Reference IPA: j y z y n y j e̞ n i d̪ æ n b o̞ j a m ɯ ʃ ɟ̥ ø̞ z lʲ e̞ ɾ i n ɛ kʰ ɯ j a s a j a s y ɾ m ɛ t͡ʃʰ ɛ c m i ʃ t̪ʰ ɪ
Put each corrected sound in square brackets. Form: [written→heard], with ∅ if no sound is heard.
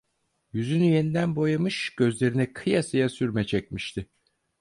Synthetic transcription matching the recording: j y z y n y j e̞ n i d̪ æ n b o̞ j a m ɯ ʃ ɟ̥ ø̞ z lʲ e̞ ɾ i n ɛ kʰ ɯ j a s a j a s y ɾ m ɛ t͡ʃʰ ɛ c m i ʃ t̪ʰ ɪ